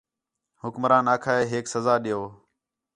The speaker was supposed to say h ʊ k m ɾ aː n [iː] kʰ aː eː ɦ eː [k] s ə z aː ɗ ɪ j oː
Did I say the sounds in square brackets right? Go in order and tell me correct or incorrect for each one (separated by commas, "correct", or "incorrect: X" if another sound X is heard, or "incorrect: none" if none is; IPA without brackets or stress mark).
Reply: incorrect: aː, correct